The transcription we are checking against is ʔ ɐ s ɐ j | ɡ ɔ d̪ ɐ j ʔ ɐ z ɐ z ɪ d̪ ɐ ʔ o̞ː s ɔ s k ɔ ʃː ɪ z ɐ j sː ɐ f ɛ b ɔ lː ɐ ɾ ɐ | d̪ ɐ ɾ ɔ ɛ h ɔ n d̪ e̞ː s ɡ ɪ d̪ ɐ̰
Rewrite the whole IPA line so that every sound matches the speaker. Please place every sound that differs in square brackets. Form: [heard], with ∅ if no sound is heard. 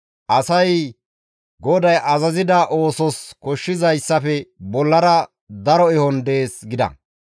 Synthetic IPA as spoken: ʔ ɐ s ɐ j | ɡ ɔ d̪ ɐ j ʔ ɐ z ɐ z ɪ d̪ ɐ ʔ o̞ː s ɔ s k ɔ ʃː ɪ z ɐ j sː ɐ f ɛ b ɔ lː ɐ ɾ ɐ | d̪ ɐ ɾ ɔ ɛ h ɔ n d̪ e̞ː s ɡ ɪ d̪ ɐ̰